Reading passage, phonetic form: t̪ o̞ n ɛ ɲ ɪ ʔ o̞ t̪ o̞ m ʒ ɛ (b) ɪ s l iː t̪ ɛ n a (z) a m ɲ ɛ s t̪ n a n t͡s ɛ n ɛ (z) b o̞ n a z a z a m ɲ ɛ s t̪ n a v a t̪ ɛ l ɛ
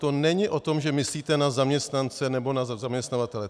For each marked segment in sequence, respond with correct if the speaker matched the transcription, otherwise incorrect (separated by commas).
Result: incorrect, correct, incorrect